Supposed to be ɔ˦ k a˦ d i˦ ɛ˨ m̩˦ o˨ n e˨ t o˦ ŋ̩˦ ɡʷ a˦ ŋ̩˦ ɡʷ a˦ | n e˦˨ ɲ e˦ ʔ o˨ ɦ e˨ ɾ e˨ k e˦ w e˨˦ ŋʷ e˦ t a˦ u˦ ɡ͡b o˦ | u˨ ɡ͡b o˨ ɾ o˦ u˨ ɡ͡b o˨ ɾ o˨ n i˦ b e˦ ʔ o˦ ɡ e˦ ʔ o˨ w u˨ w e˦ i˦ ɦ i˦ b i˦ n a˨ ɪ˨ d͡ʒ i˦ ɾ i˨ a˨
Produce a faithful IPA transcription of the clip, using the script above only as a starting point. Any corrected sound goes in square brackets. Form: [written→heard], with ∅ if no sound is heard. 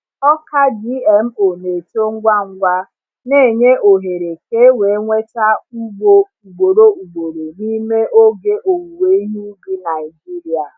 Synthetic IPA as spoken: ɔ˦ k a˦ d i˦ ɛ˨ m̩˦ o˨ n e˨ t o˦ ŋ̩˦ ɡʷ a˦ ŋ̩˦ ɡʷ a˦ | n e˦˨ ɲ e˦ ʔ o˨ ɦ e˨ ɾ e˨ k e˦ w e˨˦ ŋʷ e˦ t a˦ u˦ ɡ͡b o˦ | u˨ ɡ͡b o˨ ɾ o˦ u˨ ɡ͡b o˨ ɾ o˨ n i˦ [b→m] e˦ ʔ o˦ ɡ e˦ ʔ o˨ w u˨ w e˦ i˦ ɦ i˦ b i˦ n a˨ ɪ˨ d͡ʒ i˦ ɾ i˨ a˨